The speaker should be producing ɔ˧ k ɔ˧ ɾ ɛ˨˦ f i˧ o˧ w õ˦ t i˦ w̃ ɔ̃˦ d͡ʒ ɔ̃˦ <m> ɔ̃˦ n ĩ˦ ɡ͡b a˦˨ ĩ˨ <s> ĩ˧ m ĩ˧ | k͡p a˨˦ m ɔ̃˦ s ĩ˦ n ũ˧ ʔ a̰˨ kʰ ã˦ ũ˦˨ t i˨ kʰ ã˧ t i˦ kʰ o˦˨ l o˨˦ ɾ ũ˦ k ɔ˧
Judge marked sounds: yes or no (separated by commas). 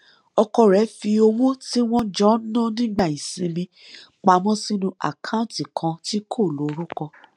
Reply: no, yes